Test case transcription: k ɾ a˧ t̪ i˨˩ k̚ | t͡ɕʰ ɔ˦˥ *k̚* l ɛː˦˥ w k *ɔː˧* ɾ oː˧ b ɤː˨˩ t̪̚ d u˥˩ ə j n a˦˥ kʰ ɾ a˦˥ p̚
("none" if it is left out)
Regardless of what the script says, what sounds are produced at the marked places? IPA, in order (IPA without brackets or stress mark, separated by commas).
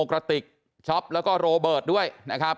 p̚, ɔː˥˩